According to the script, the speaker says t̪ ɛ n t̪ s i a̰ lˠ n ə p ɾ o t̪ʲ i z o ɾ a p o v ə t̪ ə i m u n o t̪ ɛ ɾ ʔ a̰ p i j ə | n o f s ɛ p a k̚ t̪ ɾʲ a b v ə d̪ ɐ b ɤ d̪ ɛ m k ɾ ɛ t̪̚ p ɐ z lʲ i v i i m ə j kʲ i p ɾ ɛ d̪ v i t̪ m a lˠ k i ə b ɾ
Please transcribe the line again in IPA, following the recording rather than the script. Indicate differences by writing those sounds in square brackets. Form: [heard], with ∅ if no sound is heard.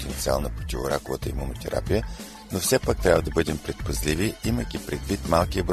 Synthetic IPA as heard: t̪ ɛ n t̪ s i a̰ lˠ n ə p ɾ o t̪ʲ i [v] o ɾ a [k] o v ə t̪ ə i m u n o t̪ ɛ ɾ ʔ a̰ p i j ə | n o f s ɛ p a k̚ t̪ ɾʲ a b v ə d̪ ɐ b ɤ d̪ ɛ m [p] ɾ ɛ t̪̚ p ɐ z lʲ i v i i m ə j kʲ i p ɾ ɛ d̪ v i t̪ m a lˠ k i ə b ɾ